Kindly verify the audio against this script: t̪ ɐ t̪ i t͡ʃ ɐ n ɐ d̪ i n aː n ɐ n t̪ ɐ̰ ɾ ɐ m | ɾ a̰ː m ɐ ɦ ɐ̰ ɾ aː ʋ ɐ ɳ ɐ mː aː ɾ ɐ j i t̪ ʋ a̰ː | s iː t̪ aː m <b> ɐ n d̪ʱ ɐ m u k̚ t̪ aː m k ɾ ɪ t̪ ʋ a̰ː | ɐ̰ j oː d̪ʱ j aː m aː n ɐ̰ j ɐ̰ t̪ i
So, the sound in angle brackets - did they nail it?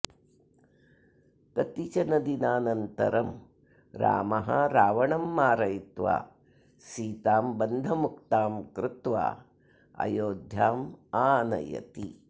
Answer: yes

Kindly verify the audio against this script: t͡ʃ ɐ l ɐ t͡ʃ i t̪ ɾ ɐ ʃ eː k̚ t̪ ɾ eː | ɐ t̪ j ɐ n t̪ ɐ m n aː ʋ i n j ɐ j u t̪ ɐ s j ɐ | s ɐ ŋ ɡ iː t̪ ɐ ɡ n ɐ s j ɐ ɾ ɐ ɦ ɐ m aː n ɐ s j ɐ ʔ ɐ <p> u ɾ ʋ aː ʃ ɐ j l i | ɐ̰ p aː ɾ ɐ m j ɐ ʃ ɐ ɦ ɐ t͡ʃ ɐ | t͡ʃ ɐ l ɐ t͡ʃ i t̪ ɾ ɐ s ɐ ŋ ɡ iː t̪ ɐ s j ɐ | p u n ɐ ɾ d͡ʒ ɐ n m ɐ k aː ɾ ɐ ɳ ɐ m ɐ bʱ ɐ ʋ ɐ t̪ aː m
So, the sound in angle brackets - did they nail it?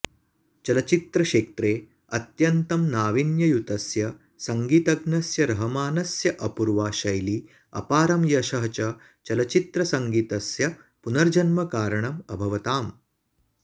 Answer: yes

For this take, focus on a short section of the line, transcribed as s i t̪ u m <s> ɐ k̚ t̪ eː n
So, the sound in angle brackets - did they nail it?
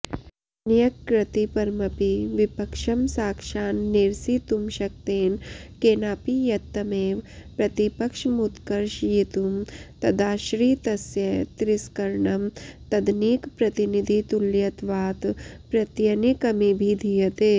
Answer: no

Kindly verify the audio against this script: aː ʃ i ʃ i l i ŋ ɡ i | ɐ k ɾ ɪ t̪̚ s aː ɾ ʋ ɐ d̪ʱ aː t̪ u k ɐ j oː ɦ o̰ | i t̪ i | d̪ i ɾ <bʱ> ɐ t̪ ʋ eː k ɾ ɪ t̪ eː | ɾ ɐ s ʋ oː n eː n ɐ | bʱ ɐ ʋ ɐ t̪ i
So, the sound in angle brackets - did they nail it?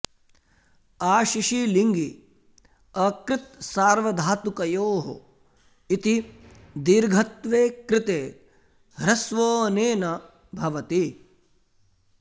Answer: no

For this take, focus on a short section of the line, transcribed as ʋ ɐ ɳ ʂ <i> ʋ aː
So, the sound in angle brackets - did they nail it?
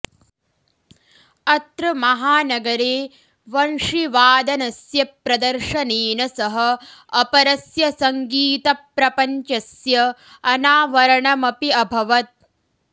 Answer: yes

